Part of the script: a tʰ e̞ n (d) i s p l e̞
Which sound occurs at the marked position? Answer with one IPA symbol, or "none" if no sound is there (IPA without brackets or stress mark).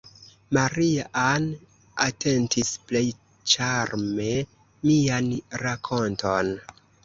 t